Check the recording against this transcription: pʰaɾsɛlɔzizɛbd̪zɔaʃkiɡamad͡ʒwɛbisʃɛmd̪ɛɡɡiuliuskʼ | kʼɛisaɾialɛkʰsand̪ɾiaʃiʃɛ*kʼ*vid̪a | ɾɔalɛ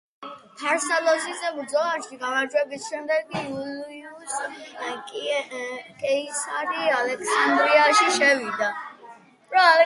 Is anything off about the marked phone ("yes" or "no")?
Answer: yes